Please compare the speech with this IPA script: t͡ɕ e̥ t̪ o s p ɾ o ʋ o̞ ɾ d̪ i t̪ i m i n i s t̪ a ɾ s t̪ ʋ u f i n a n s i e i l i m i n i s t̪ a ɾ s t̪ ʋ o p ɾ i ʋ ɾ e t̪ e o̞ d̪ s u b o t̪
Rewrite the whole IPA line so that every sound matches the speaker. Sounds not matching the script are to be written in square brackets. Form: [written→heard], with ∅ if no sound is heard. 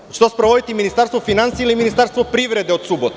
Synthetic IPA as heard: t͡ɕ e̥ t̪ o s p ɾ o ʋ o̞ [ɾ→∅] d̪ i t̪ i m i n i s t̪ a ɾ s t̪ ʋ [u→o] f i n a n s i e i l i m i n i s t̪ a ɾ s t̪ ʋ o p ɾ i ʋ ɾ e [t̪→d̪] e o̞ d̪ s u b o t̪